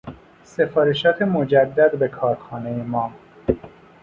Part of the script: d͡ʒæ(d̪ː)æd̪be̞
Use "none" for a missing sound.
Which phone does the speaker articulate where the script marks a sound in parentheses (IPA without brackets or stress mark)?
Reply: d̪ː